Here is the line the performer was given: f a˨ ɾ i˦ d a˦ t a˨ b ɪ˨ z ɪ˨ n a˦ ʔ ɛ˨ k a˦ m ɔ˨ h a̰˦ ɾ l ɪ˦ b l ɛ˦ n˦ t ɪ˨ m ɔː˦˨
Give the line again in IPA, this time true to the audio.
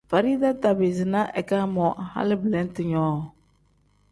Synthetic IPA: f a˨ ɾ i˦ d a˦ t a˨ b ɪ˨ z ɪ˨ n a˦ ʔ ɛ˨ k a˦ m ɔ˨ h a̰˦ l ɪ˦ b l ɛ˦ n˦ t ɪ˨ ɲ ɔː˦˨